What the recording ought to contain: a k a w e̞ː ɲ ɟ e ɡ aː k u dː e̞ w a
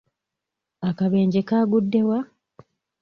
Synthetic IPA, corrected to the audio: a k a β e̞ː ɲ ɟ e k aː ɡ u dː e̞ w a